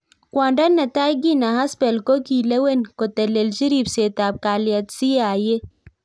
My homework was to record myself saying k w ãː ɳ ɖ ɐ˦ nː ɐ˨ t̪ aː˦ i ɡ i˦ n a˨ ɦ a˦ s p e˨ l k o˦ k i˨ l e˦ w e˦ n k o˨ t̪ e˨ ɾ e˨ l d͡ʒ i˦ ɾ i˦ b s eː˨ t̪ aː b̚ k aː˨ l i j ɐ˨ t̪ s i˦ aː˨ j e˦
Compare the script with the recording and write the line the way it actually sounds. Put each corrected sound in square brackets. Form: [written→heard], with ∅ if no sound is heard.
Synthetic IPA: k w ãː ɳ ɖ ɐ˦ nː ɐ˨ t̪ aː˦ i ɡ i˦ n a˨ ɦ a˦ s p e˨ l k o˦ k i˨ l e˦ w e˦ n k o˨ t̪ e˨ [ɾ→l] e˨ l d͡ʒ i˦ ɾ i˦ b s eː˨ t̪ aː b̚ k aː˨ l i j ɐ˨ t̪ s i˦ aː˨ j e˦